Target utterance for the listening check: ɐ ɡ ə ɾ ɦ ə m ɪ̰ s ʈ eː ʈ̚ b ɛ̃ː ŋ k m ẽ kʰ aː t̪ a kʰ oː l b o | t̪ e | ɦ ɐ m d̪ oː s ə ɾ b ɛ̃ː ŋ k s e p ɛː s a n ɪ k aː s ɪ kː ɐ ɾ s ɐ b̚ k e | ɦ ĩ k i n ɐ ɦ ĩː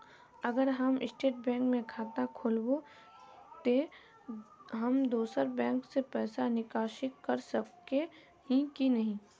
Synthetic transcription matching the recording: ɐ ɡ ə ɾ ɦ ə m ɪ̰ s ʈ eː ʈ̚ b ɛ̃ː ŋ k m ẽ kʰ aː t̪ a kʰ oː l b o | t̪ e | ɦ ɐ m d̪ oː s ə ɾ b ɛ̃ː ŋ k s e p ɛː s a n ɪ k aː ʃ ɪ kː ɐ ɾ s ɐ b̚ k e | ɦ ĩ k i n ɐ ɦ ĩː